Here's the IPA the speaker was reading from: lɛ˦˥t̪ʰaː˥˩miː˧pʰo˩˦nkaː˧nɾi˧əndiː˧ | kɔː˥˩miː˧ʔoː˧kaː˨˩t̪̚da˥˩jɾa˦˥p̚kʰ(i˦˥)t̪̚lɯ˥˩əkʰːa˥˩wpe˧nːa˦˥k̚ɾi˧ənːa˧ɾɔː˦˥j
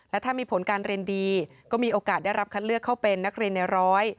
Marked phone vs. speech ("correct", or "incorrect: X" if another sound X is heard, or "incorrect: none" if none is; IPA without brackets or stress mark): incorrect: a˦˥